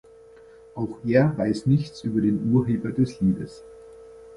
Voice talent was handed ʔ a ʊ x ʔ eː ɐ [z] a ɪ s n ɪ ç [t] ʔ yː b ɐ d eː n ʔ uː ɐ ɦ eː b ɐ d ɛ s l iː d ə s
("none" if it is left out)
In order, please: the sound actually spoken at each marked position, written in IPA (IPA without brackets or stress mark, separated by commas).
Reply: v, t͡s